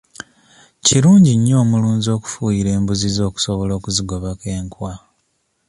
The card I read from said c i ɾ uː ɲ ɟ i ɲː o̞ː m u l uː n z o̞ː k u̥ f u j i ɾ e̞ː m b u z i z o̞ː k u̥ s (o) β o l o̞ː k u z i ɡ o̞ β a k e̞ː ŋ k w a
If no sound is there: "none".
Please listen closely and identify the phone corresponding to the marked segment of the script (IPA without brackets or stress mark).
o